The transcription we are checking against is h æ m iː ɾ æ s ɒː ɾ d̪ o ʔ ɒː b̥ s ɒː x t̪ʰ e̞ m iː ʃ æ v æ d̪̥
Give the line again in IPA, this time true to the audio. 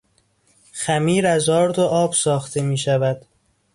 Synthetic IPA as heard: x æ m iː ɾ æ z ɒː ɾ d̪ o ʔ ɒː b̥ s ɒː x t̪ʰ e̞ m iː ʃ æ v æ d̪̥